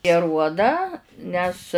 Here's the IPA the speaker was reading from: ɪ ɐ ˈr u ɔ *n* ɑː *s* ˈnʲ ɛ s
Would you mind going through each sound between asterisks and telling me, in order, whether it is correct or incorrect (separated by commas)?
incorrect, incorrect